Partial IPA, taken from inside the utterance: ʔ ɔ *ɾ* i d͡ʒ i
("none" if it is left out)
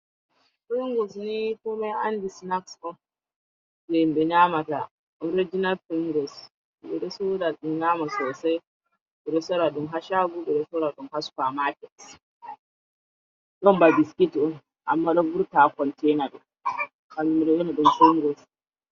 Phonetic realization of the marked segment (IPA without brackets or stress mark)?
ɾ